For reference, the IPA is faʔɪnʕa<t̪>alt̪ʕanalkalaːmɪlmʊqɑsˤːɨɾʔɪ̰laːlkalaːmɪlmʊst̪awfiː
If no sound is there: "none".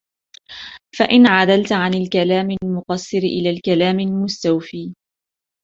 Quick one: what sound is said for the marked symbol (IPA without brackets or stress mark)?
d̪